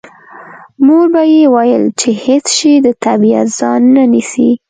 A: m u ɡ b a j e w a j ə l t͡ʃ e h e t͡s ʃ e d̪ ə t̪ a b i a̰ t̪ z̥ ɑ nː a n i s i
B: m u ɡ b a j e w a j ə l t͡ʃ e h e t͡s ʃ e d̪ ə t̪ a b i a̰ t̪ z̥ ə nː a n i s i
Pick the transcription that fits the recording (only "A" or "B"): A